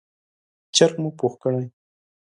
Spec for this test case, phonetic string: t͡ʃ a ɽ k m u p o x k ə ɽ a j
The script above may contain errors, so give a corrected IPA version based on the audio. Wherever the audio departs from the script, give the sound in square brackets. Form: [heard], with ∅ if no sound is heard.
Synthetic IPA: t͡ʃ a [ɾ] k m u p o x k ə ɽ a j